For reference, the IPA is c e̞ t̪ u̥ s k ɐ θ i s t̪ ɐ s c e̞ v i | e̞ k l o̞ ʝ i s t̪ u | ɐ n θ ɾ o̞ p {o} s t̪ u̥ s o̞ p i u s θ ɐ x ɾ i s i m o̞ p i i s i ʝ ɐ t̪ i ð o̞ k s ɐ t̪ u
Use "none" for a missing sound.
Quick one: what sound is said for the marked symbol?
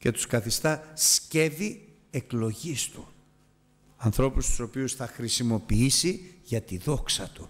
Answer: u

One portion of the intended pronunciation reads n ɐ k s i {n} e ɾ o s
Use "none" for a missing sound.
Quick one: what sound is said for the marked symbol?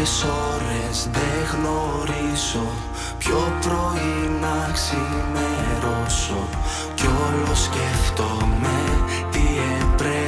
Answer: m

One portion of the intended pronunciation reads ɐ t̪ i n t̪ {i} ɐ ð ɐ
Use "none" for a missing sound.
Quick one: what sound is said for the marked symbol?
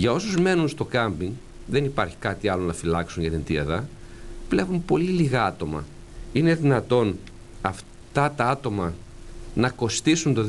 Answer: i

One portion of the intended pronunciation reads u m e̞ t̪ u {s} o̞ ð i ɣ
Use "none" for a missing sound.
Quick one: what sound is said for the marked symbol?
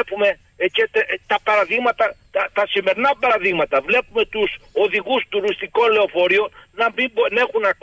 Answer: s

